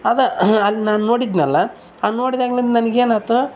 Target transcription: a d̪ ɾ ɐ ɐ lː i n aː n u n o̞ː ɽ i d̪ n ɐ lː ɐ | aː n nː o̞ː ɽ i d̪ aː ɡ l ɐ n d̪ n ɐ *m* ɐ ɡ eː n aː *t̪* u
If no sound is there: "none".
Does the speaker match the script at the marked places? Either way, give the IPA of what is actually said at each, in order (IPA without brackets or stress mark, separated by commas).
n, t̪